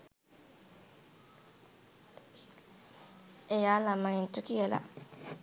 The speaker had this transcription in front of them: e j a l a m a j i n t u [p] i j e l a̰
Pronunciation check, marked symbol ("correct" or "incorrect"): incorrect